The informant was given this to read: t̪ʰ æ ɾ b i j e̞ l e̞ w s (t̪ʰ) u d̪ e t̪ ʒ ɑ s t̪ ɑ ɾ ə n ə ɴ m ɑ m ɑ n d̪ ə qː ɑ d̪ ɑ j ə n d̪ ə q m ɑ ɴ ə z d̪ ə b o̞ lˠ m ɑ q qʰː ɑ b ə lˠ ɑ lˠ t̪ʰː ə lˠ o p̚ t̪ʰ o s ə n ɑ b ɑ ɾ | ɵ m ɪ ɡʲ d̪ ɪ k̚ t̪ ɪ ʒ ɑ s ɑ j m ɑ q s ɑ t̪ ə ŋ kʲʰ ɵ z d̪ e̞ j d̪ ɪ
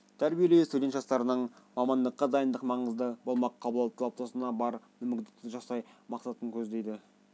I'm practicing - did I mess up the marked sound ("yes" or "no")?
yes